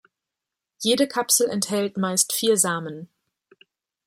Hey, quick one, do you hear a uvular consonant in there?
no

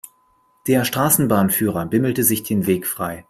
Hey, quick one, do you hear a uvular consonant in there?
yes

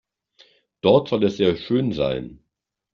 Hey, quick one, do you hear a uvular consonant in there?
no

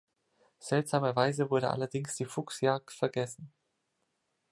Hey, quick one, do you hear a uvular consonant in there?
no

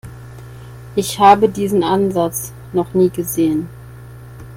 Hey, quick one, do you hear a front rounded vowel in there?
no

